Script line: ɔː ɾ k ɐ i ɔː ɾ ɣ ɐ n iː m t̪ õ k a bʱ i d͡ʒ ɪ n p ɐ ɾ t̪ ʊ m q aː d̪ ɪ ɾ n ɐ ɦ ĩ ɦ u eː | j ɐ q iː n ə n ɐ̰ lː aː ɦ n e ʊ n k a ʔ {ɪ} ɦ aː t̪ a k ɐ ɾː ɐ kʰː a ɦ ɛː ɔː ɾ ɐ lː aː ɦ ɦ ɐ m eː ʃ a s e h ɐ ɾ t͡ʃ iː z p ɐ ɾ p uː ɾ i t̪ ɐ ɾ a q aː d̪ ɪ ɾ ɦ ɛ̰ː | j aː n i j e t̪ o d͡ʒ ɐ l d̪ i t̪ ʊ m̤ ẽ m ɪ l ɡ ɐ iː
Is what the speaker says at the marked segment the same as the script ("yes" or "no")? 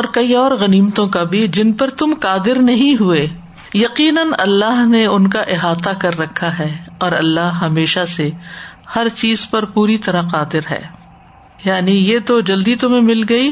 yes